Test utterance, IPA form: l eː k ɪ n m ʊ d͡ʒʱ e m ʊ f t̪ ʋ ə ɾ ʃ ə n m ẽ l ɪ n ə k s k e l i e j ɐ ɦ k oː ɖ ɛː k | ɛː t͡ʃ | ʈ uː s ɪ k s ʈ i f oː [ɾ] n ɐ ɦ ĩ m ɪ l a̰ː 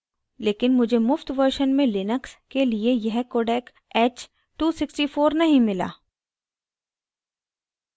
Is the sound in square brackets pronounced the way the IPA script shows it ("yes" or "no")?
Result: yes